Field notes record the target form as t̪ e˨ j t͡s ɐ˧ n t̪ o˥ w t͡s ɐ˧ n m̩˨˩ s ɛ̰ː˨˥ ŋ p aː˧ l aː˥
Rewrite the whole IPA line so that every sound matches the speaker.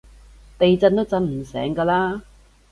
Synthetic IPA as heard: t̪ e˨ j t͡s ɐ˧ n t̪ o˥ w t͡s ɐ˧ n m̩˨˩ s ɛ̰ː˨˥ ŋ k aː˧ l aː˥